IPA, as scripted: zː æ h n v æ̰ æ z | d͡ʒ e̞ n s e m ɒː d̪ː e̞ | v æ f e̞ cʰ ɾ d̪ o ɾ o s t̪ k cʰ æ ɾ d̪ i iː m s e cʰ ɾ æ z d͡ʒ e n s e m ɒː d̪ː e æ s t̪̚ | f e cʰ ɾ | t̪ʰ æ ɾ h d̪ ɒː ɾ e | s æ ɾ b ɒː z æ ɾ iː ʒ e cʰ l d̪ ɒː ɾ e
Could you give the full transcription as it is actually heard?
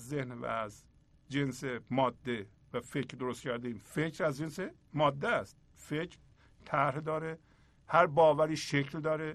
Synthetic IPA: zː e h n v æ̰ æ z | d͡ʒ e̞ n s e m ɒː d̪ː e̞ | v æ f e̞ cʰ ɾ d̪ o ɾ o s t̪ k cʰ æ ɾ d̪ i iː m f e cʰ ɾ æ z d͡ʒ e n s e m ɒː d̪ː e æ s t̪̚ | f e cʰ ɾ | t̪ʰ æ ɾ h d̪ ɒː ɾ e | h æ ɾ b ɒː v æ ɾ iː ʃ e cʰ l d̪ ɒː ɾ e